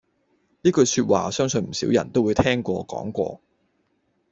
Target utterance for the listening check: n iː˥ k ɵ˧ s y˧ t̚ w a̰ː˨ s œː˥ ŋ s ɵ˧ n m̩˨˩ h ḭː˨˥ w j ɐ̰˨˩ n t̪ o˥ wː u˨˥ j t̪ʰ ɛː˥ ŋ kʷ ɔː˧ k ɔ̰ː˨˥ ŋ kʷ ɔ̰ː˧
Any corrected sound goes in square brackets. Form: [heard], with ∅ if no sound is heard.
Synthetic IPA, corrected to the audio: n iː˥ k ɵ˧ s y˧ t̚ w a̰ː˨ s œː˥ ŋ s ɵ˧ n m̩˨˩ [s] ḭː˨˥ w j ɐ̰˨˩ n t̪ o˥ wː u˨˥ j t̪ʰ ɛː˥ ŋ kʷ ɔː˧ k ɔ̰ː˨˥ ŋ kʷ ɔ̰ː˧